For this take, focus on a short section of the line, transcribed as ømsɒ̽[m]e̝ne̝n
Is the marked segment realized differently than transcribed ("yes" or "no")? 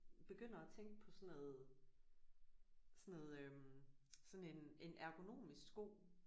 yes